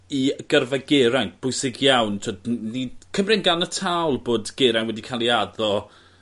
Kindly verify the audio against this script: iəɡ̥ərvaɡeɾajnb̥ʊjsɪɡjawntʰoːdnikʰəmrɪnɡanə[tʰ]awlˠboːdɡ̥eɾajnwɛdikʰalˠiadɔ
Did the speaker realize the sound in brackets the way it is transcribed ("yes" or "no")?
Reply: yes